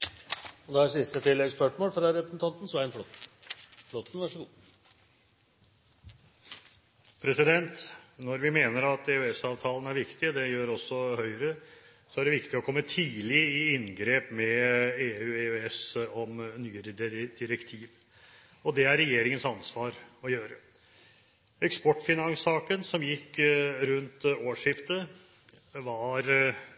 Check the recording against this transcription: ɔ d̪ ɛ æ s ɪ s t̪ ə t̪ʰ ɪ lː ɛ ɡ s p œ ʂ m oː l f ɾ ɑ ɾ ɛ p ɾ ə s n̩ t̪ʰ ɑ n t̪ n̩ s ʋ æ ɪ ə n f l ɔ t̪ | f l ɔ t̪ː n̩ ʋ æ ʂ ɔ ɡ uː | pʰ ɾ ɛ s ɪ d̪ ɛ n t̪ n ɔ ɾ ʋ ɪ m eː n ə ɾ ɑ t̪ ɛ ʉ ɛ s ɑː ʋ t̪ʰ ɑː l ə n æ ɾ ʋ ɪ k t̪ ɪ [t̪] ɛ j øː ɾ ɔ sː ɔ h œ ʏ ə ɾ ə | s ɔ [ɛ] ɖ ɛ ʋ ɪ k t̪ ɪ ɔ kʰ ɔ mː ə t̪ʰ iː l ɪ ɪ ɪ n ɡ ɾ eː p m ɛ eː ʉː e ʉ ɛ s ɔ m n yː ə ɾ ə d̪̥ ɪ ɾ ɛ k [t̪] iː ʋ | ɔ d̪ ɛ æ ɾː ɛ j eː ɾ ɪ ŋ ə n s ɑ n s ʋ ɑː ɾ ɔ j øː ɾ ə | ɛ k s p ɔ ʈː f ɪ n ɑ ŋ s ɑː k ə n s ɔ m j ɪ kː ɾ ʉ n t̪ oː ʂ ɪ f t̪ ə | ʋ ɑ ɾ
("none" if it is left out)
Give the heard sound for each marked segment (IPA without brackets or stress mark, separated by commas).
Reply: d̪, æ, t̪ʰ